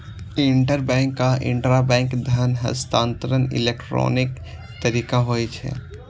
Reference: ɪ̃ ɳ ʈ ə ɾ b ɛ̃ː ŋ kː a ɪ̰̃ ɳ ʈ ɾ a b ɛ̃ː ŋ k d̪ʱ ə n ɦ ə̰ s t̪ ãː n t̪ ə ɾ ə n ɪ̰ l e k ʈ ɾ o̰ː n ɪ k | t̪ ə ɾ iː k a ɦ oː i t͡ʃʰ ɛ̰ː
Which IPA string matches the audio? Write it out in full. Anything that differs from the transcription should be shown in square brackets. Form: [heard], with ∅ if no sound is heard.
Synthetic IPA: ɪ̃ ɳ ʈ ə ɾ b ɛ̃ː ŋ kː a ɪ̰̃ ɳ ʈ ɾ a b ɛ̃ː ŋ k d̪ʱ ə n ɦ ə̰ s t̪ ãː n t̪ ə ɾ ə n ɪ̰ l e k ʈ ɾ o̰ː n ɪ k | t̪ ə ɾ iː k a ɦ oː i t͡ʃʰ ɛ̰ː